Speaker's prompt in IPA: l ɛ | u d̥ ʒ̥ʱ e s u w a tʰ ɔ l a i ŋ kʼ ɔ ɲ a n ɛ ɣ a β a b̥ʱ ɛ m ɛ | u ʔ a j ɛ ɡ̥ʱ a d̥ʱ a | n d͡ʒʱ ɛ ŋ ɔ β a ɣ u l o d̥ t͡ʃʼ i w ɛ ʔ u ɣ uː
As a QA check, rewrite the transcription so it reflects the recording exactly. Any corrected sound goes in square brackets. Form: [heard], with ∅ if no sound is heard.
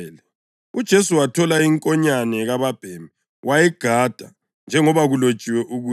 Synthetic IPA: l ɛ | u d̥ ʒ̥ʱ e s u w a tʰ ɔ l a i ŋ kʼ ɔ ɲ a n ɛ ɣ a β a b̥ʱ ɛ m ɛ | [w] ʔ a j ɛ ɡ̥ʱ a d̥ʱ a | n d͡ʒʱ ɛ ŋ ɔ β a ɣ u l o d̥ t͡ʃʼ i w ɛ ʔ u ɣ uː